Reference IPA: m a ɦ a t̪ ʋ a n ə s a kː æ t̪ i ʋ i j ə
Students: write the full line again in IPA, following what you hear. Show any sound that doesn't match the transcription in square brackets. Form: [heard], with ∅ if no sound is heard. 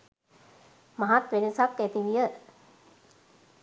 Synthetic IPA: m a ɦ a t̪ ʋ [e] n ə s a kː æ t̪ i ʋ i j ə